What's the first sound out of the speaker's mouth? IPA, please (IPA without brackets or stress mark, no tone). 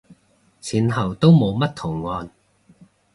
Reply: t͡sʰ